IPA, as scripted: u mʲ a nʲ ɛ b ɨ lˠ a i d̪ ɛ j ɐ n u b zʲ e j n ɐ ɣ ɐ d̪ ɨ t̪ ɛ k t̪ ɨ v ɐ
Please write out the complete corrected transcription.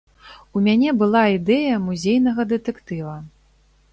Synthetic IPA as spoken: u mʲ a nʲ ɛ b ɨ lˠ a i d̪ ɛ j ɐ m u zʲ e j n ɐ ɣ ɐ d̪ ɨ t̪ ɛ k t̪ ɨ v ɐ